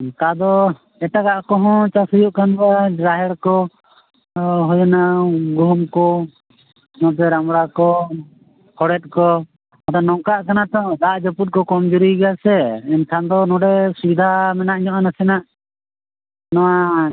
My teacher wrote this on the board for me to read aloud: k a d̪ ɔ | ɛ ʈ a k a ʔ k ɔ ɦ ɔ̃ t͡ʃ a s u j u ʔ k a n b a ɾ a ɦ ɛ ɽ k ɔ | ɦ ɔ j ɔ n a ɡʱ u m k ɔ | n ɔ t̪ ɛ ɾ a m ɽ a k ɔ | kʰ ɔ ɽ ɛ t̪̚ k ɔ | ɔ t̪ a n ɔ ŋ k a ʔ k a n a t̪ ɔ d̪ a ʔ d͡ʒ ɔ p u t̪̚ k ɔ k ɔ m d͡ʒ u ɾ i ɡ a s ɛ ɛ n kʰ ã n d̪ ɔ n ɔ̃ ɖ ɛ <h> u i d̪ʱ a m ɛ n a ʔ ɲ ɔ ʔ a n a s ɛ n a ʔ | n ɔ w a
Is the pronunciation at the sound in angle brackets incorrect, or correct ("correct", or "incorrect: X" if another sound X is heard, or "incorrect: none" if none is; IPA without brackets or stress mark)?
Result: incorrect: s